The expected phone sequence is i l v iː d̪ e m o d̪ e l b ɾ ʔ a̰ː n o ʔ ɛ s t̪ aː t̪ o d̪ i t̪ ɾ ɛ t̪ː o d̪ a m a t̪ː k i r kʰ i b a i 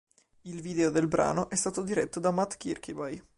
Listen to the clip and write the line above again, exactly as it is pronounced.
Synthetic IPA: i l v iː d̪ e o d̪ e l b ɾ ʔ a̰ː n o ʔ ɛ s t̪ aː t̪ o d̪ i ɾ ɛ t̪ː o d̪ a m a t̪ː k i r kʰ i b a j